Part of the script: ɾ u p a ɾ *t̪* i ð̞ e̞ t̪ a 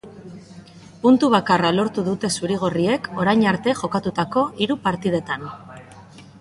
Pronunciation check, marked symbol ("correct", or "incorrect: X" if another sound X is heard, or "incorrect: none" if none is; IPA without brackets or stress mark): correct